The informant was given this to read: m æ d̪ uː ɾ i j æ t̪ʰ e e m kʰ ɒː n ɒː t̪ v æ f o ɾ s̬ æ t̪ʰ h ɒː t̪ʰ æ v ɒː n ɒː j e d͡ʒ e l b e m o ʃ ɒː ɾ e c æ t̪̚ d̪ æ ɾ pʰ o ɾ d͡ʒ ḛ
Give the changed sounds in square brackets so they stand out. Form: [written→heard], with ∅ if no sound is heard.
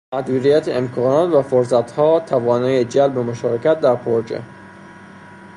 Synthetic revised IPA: m æ d̪ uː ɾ i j æ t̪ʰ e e m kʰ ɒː n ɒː t̪ v æ f o ɾ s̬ æ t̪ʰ h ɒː t̪ʰ æ v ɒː n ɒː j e d͡ʒ [e→æ] l b e m o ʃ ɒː ɾ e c æ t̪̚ d̪ æ ɾ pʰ o ɾ d͡ʒ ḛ